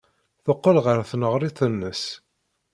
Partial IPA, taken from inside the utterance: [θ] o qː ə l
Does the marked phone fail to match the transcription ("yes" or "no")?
no